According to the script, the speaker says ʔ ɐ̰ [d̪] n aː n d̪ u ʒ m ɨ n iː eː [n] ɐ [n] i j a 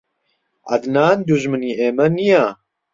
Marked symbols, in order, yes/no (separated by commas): yes, no, yes